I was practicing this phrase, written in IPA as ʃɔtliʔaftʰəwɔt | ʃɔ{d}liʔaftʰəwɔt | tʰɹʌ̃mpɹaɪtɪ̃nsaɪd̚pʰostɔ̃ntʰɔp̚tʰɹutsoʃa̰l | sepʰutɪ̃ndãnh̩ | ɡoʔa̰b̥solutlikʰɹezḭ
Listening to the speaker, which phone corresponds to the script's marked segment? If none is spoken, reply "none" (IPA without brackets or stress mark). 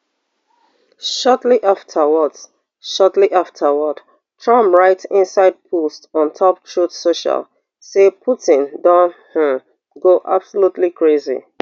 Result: t